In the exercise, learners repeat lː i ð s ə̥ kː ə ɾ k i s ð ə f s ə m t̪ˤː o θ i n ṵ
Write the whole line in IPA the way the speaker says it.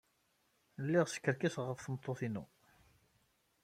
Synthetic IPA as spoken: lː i ʁ s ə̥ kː ə ɾ k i s ʁ ə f θ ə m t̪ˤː o θ i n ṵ